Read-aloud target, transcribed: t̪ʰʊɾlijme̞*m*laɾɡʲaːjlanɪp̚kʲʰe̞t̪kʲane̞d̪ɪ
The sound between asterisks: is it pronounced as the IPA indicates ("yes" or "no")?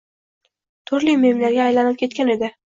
yes